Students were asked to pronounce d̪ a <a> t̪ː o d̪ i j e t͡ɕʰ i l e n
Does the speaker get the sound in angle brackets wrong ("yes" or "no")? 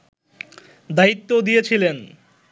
yes